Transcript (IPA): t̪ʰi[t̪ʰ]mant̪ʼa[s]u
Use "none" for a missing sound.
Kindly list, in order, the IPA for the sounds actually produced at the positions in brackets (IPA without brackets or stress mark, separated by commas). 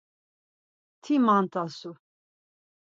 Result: none, s